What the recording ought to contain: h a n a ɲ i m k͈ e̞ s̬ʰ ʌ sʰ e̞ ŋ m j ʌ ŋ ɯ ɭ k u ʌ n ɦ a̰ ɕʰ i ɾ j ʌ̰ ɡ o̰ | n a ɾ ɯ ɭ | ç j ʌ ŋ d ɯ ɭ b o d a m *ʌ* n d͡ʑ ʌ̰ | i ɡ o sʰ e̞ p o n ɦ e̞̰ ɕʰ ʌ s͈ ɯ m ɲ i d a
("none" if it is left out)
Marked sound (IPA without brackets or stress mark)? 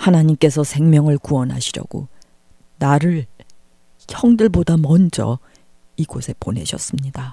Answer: ʌ